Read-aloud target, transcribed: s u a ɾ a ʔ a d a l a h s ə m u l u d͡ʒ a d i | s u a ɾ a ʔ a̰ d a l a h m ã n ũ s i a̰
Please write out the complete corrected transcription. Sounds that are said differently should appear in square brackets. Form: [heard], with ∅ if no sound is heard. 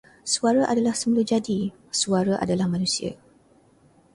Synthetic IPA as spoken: s u a ɾ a ʔ a d a l a h s ə m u l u d͡ʒ a d i | s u a ɾ a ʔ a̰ d a l a h m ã n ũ s i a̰